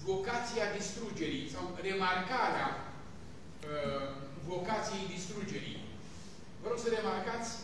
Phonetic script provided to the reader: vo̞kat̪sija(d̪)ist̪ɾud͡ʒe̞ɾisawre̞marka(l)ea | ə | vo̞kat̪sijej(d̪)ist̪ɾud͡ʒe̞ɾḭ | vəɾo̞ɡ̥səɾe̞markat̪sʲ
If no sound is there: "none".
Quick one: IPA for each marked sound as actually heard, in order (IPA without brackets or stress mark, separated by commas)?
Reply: d̪, ɾ, d̪